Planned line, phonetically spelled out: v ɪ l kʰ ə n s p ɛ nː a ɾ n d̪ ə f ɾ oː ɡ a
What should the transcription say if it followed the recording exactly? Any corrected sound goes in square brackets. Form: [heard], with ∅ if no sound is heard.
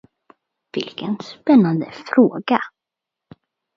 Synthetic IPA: v ɪ l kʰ ə n s p ɛ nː a [∅] n d̪ ə f ɾ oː ɡ a